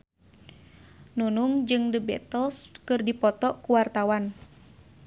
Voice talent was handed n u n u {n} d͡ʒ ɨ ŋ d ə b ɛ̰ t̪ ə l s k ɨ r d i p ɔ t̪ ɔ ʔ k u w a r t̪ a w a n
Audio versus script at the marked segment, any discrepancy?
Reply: yes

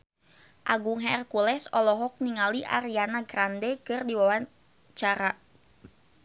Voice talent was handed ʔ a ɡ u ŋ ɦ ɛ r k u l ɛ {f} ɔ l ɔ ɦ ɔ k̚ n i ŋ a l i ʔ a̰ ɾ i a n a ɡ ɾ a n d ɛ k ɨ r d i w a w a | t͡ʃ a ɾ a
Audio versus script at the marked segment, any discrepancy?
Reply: yes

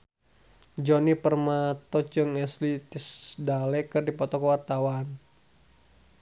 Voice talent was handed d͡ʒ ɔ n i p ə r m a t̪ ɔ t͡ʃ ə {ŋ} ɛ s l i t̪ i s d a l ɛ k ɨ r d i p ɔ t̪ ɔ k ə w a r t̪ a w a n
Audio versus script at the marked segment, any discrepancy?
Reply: no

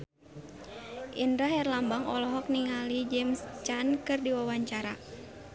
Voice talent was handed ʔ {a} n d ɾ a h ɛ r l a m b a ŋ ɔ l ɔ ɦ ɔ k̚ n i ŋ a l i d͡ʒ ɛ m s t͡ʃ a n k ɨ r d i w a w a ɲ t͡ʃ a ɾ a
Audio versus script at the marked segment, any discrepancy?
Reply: yes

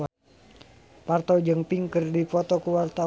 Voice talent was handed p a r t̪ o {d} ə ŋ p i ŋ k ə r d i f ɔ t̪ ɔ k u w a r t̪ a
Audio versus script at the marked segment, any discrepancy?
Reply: yes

